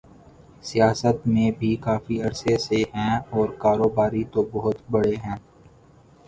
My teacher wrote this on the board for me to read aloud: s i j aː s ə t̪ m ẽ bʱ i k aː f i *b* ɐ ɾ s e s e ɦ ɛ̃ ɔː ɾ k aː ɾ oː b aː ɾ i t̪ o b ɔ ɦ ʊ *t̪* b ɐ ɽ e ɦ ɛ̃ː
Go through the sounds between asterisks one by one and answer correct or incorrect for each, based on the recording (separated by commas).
incorrect, correct